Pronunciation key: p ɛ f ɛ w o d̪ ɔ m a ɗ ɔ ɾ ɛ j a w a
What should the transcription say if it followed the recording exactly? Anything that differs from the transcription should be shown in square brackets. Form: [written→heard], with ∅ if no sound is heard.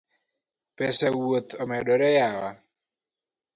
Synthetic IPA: p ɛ [f→s] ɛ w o [d̪→t̪] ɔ m [a→ɛ] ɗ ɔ ɾ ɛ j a w a

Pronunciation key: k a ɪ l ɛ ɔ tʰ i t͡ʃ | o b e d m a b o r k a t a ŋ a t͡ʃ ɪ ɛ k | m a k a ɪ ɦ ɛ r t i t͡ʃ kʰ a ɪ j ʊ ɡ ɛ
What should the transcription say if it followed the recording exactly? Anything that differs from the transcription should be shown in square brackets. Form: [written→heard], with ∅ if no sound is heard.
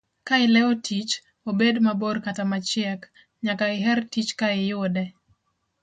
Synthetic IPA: k a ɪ l ɛ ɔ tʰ i t͡ʃ | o b e d m a b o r k a t a [ŋ→m] a t͡ʃ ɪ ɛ k | [m→ɲ] a k a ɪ ɦ ɛ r t i t͡ʃ [kʰ→k] a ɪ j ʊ [ɡ→d] ɛ

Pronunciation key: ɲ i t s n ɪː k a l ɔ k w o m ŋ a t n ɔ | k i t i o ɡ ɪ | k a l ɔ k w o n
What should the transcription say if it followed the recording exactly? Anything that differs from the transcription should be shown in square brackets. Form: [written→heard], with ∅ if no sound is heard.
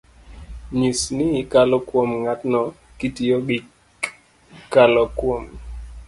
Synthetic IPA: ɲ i [t→∅] s n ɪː k a l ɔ k w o m ŋ a t n ɔ | k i t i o ɡ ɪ | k a l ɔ k w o [n→m]

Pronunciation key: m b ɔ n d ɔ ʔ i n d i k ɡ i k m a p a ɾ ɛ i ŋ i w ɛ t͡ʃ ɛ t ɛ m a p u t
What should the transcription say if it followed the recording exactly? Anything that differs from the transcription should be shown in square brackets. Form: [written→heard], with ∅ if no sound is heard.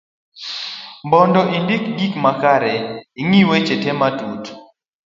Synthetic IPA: m b ɔ n d ɔ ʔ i n d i k ɡ i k m a [p→k] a ɾ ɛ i ŋ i w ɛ t͡ʃ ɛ t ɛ m a [p→t] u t

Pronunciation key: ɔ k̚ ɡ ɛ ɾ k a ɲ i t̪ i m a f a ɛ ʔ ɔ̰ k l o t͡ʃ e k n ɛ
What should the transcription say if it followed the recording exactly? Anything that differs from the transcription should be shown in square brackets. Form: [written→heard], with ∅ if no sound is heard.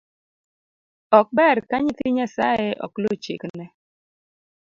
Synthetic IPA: ɔ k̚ [ɡ→b] ɛ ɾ k a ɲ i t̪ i [m→ɲ] a [f→s] a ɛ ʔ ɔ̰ k l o t͡ʃ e k n ɛ

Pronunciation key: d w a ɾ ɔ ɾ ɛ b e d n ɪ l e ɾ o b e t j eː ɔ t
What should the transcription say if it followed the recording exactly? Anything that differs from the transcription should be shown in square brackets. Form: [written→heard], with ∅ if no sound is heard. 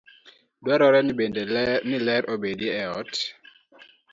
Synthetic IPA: d w a ɾ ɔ ɾ ɛ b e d n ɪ l [e→ɛ] ɾ o b e [t→d] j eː ɔ t

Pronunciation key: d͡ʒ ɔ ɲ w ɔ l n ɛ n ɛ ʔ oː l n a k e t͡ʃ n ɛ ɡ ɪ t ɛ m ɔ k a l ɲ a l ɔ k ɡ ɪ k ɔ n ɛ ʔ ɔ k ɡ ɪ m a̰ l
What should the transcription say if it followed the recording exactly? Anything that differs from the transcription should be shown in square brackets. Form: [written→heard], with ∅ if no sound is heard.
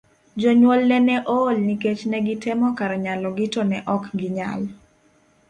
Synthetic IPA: d͡ʒ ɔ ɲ w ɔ l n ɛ n ɛ ʔ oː l n [a→i] k e t͡ʃ n ɛ ɡ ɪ t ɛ m ɔ k a [l→ɾ] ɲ a l ɔ [k→∅] ɡ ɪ [k→t] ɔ n ɛ ʔ ɔ k ɡ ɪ [m→ɲ] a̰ l

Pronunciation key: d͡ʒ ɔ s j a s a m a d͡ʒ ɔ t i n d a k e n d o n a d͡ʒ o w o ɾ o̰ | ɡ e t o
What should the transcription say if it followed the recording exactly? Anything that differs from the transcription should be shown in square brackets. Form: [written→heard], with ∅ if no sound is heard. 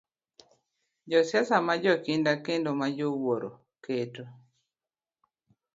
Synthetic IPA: d͡ʒ ɔ s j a s a m a d͡ʒ ɔ [t→k] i n d a k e n d o [n→m] a d͡ʒ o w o ɾ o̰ | [ɡ→k] e t o

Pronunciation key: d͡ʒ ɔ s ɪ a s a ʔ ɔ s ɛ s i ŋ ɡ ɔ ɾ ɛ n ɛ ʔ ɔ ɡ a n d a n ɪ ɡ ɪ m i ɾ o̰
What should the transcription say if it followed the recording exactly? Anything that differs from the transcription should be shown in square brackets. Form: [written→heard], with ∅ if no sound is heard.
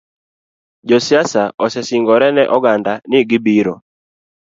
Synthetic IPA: d͡ʒ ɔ s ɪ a s a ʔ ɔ s ɛ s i ŋ ɡ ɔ ɾ ɛ n ɛ ʔ ɔ ɡ a n d a n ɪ ɡ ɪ [m→b] i ɾ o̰

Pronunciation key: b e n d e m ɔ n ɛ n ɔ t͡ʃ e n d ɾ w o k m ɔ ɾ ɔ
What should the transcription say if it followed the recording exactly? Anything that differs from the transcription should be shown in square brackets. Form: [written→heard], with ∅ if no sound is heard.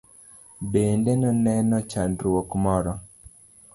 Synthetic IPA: b e n d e [m→n] ɔ n ɛ n ɔ t͡ʃ [e→a] n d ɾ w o k m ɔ ɾ ɔ

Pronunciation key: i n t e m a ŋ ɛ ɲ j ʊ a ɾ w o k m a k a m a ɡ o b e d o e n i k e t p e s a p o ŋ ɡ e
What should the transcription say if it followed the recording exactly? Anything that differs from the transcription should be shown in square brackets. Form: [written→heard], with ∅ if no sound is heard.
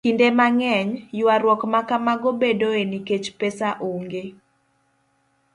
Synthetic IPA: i n [t→d] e m a ŋ ɛ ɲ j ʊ a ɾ w [o→ɔ] k m a k a m a ɡ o b e d o e n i k e [t→t͡ʃ] p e s a [p→ʔ] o ŋ ɡ e

